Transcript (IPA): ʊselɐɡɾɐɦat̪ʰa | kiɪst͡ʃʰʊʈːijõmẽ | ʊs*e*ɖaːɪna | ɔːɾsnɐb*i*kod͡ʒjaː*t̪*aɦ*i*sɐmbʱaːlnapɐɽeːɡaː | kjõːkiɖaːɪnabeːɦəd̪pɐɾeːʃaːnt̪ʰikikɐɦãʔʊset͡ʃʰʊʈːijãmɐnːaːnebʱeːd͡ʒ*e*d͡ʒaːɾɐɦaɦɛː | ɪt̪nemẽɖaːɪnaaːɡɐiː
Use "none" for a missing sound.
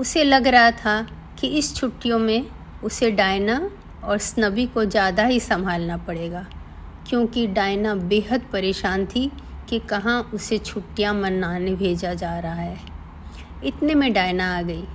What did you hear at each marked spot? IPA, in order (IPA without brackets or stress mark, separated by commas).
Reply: e, i, d̪, i, a